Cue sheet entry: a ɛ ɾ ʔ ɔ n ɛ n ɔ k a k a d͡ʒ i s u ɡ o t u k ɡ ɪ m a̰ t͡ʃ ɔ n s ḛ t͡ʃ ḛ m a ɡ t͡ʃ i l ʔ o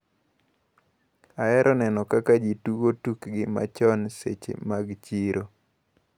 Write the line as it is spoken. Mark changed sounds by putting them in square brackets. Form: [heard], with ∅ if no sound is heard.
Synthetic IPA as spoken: a ɛ ɾ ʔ ɔ n ɛ n ɔ k a k a d͡ʒ i [t] u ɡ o t u k ɡ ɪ m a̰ t͡ʃ ɔ n s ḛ t͡ʃ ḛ m a ɡ t͡ʃ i [ɾ] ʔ o